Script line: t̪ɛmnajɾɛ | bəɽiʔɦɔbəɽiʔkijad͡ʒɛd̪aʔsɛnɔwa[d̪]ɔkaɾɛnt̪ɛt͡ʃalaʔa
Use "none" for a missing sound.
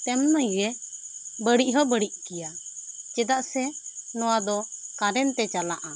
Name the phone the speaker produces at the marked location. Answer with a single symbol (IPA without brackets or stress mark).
d̪